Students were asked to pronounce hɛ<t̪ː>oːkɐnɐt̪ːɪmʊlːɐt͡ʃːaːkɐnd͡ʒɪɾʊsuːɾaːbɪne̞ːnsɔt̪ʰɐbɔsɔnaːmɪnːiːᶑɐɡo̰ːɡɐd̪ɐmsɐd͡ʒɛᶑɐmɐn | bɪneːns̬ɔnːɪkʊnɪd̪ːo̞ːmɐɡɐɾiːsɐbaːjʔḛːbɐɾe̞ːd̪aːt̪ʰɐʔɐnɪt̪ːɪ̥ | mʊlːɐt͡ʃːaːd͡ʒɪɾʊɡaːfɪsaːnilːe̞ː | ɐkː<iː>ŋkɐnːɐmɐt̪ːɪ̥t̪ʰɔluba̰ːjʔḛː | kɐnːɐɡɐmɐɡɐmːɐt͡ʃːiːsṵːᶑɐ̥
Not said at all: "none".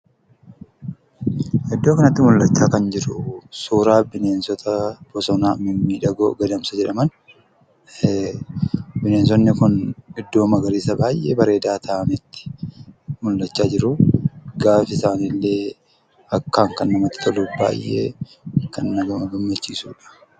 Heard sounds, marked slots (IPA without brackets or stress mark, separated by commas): d̪ː, aː